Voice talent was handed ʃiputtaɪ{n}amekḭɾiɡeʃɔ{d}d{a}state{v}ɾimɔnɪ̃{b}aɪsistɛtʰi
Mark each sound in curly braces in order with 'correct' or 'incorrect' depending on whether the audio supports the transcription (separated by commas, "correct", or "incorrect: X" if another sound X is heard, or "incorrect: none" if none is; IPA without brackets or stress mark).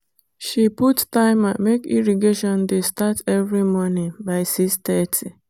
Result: incorrect: m, incorrect: n, incorrect: e, correct, correct